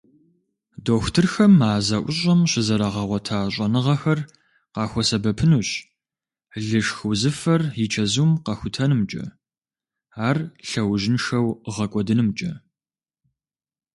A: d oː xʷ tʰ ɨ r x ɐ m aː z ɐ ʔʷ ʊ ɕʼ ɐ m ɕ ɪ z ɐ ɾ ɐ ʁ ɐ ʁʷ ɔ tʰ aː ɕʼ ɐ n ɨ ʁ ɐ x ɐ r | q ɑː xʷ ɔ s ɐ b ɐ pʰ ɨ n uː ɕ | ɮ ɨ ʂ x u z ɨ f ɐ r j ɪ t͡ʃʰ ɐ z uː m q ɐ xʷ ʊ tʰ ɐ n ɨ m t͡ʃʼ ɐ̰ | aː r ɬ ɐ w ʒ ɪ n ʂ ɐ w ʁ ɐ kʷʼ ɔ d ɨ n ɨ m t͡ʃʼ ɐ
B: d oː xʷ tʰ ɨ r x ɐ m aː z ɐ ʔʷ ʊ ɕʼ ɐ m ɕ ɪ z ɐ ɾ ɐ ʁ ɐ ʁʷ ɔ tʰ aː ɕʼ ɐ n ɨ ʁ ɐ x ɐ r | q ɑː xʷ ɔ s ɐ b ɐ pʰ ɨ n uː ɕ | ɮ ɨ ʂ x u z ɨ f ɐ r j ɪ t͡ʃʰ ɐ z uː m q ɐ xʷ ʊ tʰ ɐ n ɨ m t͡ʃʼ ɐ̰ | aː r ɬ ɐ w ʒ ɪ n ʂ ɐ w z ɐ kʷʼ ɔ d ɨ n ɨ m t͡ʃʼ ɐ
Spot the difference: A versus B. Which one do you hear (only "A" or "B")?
A